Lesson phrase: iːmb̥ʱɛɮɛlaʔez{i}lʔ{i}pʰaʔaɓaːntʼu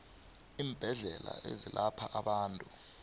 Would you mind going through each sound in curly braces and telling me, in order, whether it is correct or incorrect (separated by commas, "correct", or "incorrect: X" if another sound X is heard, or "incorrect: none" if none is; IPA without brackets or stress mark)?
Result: correct, incorrect: a